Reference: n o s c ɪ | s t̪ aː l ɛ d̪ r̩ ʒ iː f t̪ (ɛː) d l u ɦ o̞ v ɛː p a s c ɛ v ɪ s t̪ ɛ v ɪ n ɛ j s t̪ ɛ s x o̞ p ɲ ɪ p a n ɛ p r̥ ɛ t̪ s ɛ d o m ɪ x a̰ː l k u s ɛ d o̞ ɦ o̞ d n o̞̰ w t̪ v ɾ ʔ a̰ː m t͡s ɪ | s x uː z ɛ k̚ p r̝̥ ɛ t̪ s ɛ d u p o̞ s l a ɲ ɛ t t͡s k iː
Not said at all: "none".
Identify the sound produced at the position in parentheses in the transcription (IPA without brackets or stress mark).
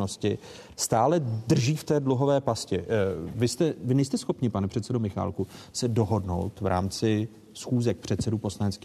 ɛː